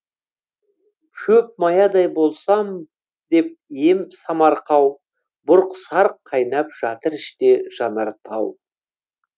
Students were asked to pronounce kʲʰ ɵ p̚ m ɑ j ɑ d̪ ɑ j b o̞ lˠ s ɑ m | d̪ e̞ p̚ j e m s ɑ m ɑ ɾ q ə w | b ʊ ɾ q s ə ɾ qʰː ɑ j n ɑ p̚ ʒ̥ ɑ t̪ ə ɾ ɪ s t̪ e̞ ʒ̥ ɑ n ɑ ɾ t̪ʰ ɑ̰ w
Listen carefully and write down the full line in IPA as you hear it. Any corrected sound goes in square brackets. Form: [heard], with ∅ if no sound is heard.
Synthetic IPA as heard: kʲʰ ɵ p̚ m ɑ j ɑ d̪ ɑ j b o̞ lˠ s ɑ m | d̪ e̞ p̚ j e m s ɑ m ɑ ɾ q [ɑ] w | b ʊ ɾ q s [ɑ] ɾ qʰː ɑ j n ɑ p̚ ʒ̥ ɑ t̪ ə ɾ ɪ [ʃ] t̪ e̞ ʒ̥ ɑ n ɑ ɾ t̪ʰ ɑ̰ w